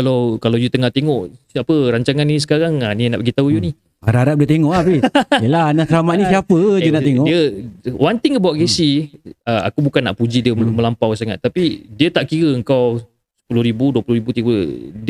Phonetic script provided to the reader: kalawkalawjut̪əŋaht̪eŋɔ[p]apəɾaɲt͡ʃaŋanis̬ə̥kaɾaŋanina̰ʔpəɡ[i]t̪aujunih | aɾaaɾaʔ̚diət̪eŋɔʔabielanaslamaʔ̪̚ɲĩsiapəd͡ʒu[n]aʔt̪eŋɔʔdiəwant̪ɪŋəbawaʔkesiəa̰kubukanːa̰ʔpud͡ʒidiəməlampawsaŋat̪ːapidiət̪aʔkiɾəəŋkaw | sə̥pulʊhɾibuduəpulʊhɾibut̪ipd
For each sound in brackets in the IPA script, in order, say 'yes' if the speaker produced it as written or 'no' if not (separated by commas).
no, yes, yes